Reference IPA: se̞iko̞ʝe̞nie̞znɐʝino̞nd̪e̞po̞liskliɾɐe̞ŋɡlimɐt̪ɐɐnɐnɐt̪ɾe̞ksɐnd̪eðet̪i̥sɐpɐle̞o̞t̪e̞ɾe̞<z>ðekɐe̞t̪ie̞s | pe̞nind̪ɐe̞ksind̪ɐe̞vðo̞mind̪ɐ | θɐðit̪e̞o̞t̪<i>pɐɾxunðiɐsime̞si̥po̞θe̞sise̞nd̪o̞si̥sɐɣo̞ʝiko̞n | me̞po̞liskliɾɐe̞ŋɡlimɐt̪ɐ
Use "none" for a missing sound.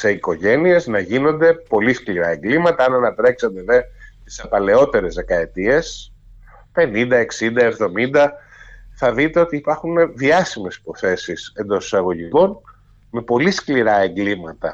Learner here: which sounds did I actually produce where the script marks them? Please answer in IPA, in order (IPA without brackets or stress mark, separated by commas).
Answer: z, iː